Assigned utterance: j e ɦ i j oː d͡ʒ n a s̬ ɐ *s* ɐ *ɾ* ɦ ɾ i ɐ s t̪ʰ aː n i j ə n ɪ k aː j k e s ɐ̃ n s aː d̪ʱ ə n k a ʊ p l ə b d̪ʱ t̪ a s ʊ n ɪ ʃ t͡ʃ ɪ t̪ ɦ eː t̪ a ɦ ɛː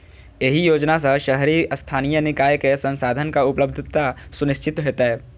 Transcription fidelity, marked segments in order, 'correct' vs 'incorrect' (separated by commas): incorrect, incorrect